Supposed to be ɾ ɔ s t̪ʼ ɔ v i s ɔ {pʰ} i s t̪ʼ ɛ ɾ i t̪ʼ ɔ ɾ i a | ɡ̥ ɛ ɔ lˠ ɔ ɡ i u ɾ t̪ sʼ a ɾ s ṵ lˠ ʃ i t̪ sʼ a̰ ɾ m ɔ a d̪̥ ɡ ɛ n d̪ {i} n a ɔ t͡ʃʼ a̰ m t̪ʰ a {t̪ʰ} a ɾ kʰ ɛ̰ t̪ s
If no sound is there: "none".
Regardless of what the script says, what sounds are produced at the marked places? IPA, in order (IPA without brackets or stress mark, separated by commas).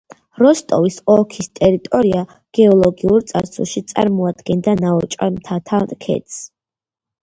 kʰ, a, t̪ʰ